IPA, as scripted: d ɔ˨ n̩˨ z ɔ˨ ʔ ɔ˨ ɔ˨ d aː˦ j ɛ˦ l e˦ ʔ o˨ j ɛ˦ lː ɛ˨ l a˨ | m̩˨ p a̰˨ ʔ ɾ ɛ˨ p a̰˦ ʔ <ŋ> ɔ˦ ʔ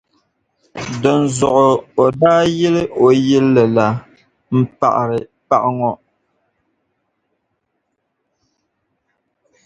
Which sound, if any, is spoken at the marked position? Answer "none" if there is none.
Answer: ŋ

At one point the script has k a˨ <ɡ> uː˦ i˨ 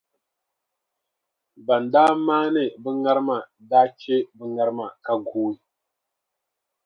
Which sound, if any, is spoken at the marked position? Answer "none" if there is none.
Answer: ɡ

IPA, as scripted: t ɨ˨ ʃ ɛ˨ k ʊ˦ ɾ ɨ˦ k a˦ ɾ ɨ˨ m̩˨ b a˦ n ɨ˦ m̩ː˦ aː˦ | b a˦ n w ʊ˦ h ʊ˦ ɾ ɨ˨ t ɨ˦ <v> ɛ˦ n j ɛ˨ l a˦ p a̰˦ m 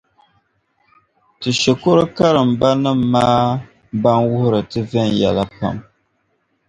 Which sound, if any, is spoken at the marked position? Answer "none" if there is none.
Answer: v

